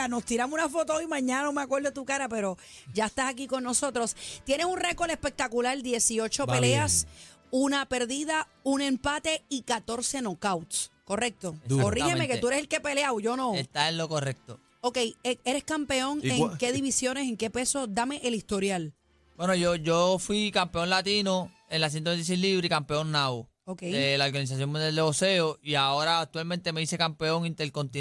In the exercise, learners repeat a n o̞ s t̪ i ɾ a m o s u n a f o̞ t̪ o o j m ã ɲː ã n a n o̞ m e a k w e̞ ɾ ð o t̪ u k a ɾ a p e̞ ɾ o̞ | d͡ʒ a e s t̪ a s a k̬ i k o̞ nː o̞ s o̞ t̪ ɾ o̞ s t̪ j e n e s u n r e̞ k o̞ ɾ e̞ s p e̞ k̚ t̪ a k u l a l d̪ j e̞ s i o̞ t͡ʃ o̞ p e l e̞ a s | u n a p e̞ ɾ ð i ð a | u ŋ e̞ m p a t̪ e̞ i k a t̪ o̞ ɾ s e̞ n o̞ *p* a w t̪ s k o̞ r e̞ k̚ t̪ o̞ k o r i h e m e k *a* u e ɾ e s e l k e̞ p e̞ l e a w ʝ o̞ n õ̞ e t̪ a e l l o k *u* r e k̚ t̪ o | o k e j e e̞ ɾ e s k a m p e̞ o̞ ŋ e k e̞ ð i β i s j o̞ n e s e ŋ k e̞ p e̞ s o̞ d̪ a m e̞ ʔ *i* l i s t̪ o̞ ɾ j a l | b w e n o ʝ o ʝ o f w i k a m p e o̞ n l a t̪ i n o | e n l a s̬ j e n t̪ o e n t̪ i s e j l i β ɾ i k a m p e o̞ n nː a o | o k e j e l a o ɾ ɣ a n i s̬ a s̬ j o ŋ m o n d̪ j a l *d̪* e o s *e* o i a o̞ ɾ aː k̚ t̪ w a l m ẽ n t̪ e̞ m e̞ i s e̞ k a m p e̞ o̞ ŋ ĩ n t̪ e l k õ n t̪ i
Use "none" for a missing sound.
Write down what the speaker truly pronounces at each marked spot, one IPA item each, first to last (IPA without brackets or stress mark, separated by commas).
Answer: k, e, o, e, d̪, e